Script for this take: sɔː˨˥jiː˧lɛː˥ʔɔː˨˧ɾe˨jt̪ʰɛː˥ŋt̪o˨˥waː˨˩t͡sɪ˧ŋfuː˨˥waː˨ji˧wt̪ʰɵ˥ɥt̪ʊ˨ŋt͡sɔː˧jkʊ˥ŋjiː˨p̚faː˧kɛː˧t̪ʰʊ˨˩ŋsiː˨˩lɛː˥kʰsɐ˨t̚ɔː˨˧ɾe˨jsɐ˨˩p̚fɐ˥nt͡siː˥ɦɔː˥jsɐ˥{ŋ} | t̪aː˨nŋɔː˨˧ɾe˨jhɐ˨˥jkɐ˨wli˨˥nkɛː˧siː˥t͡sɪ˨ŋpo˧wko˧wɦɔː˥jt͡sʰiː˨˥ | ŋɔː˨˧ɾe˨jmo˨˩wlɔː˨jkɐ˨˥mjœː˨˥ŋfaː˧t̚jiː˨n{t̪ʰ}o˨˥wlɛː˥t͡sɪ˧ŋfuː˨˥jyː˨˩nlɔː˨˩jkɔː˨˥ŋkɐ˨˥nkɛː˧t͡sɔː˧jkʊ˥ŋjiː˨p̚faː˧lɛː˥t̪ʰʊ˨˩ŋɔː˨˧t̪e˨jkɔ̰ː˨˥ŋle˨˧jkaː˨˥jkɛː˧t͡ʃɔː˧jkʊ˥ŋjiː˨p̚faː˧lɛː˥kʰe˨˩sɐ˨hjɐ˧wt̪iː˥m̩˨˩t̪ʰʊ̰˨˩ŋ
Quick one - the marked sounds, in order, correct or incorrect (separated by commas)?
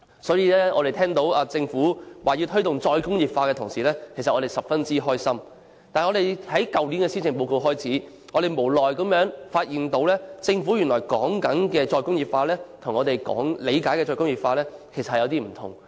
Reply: incorrect, incorrect